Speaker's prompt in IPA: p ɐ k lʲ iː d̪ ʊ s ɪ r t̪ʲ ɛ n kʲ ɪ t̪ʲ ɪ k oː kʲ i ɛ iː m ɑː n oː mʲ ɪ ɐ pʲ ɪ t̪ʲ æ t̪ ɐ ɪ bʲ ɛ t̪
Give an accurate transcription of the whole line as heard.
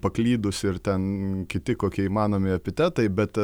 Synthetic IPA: p ɐ k lʲ iː d̪ ʊ s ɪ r t̪ʲ ɛ n kʲ ɪ t̪ʲ ɪ k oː kʲ i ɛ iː m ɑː n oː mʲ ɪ ɐ pʲ ɪ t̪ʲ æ t̪ ɐ ɪ bʲ ɛ t̪